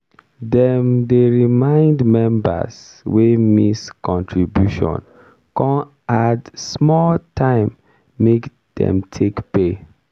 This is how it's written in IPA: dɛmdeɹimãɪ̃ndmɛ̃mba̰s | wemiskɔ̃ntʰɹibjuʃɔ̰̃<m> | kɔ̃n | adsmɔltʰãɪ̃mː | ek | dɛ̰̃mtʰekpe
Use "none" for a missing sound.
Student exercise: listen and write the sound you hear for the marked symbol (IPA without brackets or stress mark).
n